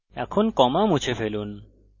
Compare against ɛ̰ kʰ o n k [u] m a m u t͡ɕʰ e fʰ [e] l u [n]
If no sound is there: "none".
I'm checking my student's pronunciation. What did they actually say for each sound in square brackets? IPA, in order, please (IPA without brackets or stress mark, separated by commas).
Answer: ɔ, e, n